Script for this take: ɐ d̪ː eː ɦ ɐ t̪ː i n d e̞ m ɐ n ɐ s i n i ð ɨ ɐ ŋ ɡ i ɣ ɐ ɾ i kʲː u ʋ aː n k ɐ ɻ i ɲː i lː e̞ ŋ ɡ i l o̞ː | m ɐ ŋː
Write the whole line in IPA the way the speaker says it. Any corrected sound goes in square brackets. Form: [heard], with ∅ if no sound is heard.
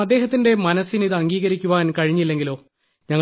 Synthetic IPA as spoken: ɐ d̪ː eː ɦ ɐ t̪ː i n d e̞ m ɐ n ɐ s i n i ð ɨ ɐ ŋ ɡ [iː] ɣ ɐ ɾ i kʲː u ʋ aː n k ɐ ɻ i ɲː i lː e̞ ŋ ɡ i l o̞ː | [ɲ] ɐ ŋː